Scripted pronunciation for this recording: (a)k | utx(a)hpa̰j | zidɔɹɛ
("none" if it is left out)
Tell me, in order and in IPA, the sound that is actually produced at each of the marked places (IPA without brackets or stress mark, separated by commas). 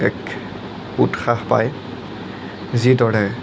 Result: ɛ, a